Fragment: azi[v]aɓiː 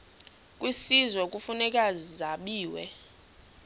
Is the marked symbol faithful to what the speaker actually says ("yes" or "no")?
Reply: no